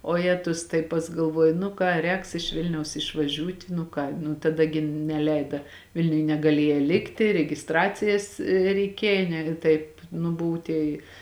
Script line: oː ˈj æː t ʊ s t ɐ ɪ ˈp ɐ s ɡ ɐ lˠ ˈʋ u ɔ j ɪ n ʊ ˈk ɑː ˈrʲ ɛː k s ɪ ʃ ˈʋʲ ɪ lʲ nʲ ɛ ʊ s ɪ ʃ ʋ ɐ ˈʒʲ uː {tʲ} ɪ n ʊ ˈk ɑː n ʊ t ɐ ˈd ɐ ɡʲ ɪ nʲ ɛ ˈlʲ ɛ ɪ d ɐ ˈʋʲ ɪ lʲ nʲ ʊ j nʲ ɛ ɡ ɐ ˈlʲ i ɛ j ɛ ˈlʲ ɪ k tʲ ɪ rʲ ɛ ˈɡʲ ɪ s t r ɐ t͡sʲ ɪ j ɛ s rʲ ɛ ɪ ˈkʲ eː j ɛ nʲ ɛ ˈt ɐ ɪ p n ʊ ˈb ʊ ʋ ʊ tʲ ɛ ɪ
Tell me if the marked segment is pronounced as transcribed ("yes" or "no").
yes